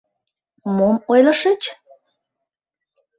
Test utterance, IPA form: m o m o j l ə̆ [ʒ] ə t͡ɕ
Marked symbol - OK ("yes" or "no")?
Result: no